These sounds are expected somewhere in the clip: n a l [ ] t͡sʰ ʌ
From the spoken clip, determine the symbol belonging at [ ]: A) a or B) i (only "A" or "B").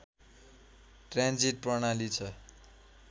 B